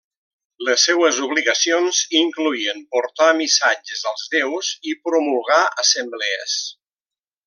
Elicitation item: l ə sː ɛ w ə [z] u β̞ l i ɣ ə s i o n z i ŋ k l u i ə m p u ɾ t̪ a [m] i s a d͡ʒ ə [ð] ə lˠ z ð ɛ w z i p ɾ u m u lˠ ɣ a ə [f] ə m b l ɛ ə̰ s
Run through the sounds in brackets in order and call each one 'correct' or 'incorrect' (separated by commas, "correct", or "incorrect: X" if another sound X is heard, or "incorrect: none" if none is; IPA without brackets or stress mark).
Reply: correct, correct, incorrect: z, incorrect: s